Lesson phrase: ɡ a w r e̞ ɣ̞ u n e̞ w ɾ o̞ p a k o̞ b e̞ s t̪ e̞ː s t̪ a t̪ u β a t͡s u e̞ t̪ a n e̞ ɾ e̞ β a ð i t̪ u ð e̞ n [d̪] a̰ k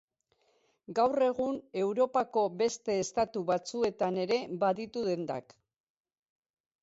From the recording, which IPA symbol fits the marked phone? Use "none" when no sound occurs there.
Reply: d̪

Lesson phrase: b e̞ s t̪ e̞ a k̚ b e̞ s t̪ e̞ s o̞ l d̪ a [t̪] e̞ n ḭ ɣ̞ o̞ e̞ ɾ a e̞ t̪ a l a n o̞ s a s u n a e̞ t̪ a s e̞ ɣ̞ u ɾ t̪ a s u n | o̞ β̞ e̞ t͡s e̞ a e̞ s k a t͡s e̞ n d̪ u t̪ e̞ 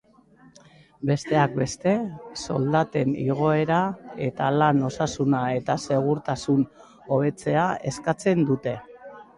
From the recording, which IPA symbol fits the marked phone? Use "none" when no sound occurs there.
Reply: t̪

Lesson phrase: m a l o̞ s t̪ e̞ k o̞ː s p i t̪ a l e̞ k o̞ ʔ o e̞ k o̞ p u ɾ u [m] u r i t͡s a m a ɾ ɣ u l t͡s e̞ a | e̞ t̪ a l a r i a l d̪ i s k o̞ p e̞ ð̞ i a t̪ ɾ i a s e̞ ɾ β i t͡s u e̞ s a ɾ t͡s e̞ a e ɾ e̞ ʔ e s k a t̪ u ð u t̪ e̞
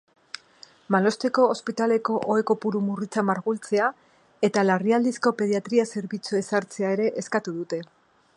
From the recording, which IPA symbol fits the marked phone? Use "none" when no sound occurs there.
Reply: m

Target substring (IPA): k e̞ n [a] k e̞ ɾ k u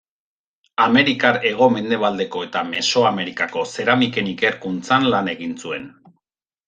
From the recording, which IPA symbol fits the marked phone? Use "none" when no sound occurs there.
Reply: i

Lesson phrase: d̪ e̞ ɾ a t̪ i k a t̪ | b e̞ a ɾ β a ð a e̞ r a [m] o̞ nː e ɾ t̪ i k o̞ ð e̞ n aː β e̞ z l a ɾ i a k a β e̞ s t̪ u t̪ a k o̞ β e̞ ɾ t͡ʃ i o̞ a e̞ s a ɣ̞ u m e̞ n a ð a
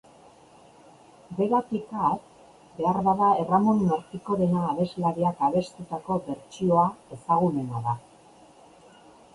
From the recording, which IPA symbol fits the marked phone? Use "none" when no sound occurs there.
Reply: m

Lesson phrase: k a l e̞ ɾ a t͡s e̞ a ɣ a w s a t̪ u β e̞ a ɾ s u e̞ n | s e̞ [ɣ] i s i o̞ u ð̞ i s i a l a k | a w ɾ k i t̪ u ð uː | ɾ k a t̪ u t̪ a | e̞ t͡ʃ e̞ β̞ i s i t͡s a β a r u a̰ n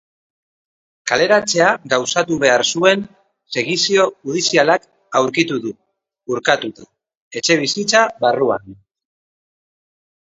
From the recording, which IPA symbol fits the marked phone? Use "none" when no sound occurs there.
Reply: ɣ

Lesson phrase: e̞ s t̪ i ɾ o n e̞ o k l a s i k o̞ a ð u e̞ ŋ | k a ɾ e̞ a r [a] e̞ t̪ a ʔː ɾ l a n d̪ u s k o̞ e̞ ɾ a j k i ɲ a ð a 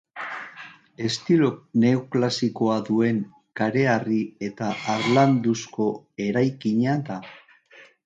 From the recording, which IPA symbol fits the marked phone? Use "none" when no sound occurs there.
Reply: i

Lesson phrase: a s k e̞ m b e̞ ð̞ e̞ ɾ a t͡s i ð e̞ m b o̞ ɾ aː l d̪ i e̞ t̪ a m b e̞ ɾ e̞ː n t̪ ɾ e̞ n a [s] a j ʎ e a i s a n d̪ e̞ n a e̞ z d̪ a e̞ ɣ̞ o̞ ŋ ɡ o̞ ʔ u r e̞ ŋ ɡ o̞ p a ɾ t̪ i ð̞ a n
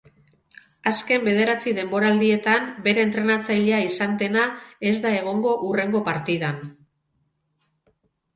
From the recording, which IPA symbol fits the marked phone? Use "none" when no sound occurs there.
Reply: t͡s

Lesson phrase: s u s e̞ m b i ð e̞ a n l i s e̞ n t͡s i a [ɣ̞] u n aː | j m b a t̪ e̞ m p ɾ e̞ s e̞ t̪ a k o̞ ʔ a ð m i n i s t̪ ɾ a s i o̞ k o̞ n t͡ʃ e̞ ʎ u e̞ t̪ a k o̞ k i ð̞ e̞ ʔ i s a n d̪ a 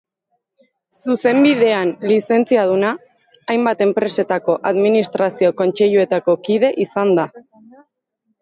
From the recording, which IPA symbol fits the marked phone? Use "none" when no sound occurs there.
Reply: ð̞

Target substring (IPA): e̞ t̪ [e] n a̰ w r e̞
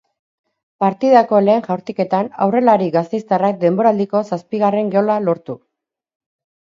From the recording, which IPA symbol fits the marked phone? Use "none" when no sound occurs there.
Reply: a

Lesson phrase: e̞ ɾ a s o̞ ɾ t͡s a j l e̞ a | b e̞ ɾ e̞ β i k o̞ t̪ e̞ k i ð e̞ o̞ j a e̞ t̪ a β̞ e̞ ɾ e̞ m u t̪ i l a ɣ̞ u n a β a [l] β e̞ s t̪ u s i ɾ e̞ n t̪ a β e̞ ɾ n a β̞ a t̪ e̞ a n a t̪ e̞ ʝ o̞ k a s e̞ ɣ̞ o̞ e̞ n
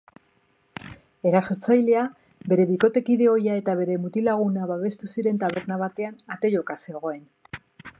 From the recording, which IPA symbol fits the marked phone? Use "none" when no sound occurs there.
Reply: none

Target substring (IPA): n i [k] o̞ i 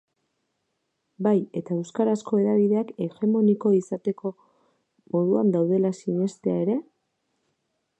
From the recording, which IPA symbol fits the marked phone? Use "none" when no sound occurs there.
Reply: k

